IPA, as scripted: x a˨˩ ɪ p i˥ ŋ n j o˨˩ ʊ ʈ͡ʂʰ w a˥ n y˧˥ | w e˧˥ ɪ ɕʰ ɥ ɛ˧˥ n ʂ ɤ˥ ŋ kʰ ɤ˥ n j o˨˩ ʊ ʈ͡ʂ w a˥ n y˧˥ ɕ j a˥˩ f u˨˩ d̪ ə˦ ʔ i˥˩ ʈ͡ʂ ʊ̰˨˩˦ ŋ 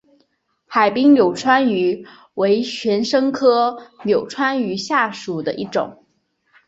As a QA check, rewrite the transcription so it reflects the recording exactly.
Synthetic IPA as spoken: x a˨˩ ɪ p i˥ ŋ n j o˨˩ ʊ ʈ͡ʂʰ w a˥ n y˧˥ | w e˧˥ ɪ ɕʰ ɥ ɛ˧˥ n ʂ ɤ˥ ŋ kʰ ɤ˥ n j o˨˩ ʊ ʈ͡ʂʰ w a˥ n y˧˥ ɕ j a˥˩ ʂ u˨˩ d̪ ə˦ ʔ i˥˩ ʈ͡ʂ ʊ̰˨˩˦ ŋ